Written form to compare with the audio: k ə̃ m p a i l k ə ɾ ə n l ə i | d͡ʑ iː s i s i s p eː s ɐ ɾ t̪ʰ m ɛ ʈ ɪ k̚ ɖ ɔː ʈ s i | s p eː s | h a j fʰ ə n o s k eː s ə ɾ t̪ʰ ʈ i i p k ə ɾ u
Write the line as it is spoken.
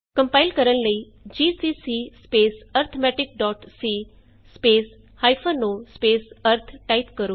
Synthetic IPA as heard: k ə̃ m p a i l k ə ɾ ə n l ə i | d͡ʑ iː s i s i s p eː s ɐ ɾ t̪ʰ m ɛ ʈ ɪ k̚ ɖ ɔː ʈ s i | s p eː s | h a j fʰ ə n o s p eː s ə ɾ t̪ʰ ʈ a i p k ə ɾ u

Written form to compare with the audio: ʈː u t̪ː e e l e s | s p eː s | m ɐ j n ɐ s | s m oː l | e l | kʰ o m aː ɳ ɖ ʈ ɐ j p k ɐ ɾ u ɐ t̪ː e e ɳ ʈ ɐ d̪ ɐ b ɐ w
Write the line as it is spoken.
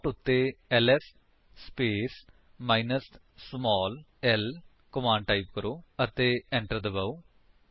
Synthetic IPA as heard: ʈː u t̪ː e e l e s | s p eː s | m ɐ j n ɐ s | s m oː l | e l | k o m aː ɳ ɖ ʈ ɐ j p k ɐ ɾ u ɐ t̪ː e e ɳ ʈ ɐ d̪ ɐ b ɐ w

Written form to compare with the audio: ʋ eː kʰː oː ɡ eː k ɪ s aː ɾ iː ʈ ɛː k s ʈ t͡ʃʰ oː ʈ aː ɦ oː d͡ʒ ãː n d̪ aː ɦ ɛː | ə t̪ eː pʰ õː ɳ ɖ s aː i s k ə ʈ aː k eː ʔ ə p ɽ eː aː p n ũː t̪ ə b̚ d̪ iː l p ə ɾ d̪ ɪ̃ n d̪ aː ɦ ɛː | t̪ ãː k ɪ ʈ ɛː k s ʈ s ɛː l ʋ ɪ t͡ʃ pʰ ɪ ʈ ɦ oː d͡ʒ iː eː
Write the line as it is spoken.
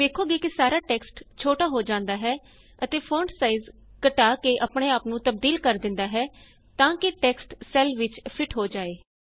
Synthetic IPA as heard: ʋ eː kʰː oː ɡ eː k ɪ s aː ɾ aː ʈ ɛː k s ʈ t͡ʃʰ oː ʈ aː ɦ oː d͡ʒ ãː n d̪ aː ɦ ɛː | ə t̪ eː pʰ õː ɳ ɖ s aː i z k ə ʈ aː k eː ʔ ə p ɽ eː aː p n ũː t̪ ə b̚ d̪ iː l k ə ɾ d̪ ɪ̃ n d̪ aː ɦ ɛː | t̪ ãː k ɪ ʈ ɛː k s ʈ s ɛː l ʋ ɪ t͡ʃ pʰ ɪ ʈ ɦ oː d͡ʒ aː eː

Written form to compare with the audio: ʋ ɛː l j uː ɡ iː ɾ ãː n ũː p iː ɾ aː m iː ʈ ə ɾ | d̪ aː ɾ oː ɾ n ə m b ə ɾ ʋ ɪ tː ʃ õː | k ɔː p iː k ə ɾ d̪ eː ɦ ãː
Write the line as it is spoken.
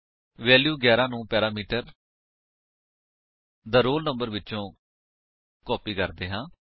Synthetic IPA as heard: ʋ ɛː l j uː ɡ ɛː ɾ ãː n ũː p ɛː ɾ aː m iː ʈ ə ɾ | d̪ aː ɾ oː l n ə m b ə ɾ ʋ ɪ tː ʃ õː | k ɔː p iː k ə ɾ d̪ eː ɦ ãː

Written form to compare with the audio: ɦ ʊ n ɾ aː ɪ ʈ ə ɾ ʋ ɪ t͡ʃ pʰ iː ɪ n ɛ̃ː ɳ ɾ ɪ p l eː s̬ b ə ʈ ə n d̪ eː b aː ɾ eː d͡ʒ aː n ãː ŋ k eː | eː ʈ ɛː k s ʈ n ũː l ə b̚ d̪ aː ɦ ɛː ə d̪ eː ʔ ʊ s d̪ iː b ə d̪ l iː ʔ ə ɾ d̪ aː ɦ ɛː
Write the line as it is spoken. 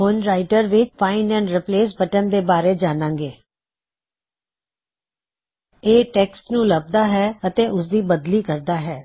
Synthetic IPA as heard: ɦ ʊ n ɾ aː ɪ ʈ ə ɾ ʋ ɪ t͡ʃ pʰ aː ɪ n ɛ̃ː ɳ ɾ ɪ p l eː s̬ b ə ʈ ə n d̪ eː b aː ɾ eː d͡ʒ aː n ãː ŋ ɡ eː | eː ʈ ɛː k s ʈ n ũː l ə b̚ d̪ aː ɦ ɛː ə t̪ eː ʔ ʊ s d̪ iː b ə d̪ l iː k ə ɾ d̪ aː ɦ ɛː

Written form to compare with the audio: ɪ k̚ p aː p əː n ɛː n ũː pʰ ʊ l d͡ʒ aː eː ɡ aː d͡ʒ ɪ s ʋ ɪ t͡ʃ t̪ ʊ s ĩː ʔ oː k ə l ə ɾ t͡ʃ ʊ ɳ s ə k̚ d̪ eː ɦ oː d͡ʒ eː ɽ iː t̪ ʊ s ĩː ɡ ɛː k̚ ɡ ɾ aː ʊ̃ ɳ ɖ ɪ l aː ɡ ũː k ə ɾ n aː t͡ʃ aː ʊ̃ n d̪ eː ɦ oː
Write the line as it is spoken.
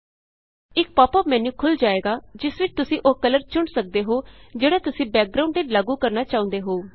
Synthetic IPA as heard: ɪ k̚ p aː p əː m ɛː n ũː kʰ ʊ l d͡ʒ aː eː ɡ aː d͡ʒ ɪ s ʋ ɪ t͡ʃ t̪ ʊ s ĩː ʔ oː k ə l ə ɾ t͡ʃ ʊ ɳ s ə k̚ d̪ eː ɦ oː d͡ʒ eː ɽ aː t̪ ʊ s ĩː b ɛː k̚ ɡ ɾ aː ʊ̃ ɳ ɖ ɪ l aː ɡ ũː k ə ɾ n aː t͡ʃ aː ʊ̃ n d̪ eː ɦ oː

